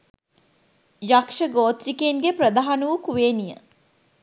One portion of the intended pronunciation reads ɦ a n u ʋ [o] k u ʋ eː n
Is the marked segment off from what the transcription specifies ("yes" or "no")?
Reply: yes